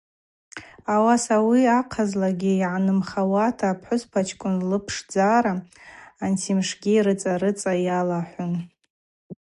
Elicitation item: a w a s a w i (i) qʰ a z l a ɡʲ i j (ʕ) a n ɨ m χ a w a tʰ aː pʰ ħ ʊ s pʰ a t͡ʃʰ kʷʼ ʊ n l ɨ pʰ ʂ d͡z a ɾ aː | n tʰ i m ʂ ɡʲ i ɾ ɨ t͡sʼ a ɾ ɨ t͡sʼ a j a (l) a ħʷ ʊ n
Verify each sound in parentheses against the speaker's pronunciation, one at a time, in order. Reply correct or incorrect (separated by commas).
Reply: incorrect, correct, correct